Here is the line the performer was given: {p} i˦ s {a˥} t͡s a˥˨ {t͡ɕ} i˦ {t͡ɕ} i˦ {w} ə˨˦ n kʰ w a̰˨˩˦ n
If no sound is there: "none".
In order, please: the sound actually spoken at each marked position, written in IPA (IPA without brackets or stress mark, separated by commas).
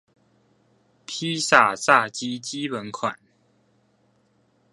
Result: pʰ, a˨˩, t͡ɕ, t͡ɕ, w